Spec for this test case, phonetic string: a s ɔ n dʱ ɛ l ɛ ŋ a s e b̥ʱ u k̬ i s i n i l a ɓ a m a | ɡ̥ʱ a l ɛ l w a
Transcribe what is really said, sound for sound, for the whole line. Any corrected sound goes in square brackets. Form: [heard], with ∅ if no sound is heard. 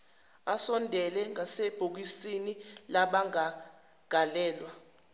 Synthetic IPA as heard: a s ɔ n dʱ ɛ l ɛ ŋ a s e b̥ʱ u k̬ i s i n i l a ɓ a [ŋ] a | ɡ̥ʱ a l [ɛː] l w a